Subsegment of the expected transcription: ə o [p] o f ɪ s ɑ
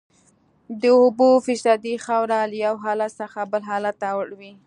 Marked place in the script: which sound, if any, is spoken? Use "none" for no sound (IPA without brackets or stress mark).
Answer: b